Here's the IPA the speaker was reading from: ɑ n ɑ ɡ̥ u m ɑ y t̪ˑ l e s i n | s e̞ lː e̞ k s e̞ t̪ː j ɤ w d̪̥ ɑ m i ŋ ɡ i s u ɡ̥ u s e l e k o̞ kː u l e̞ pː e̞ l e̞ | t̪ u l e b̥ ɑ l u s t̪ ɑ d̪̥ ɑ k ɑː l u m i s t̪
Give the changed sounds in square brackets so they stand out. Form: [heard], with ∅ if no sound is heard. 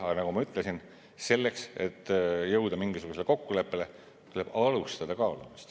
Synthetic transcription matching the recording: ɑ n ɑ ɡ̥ u m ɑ y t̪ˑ l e s i n | s e̞ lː e̞ k s e̞ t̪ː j ɤ w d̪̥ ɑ m i ŋ ɡ i s u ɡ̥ u s e l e k o̞ kː u l e̞ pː e̞ l e̞ | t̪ u l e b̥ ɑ l u s t̪ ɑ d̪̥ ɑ k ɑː l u m i s t̪